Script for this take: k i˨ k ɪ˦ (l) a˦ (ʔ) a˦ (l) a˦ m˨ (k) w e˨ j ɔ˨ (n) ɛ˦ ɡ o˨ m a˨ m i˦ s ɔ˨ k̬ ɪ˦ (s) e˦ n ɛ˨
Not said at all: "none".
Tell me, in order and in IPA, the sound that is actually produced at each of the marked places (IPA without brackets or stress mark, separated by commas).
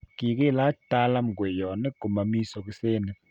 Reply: l, t, l, ɡ, n, s